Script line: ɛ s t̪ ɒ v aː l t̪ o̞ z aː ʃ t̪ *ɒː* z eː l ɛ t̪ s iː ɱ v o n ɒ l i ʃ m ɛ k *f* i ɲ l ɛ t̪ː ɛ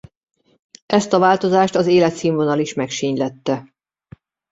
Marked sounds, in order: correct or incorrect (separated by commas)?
incorrect, incorrect